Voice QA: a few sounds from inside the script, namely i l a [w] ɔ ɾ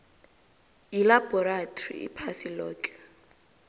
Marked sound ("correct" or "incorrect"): incorrect